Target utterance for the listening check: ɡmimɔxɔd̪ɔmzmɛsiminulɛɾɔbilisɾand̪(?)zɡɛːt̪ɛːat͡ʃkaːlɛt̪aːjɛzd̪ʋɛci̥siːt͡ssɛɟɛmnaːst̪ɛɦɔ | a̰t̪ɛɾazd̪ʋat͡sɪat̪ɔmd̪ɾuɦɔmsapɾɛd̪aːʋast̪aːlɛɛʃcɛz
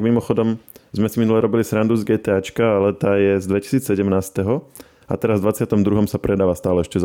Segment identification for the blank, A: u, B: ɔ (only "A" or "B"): A